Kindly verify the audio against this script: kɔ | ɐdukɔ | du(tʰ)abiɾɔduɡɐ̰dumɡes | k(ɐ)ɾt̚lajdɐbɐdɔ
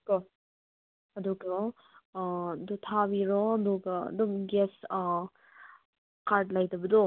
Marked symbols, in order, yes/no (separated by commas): yes, no